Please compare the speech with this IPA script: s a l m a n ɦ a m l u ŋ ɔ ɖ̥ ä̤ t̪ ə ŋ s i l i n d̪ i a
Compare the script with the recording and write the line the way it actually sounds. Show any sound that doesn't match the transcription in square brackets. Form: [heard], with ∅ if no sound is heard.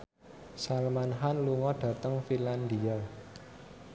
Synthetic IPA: s a l m a n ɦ a [n] l u ŋ ɔ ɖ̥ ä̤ t̪ ə ŋ [f] i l [a] n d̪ i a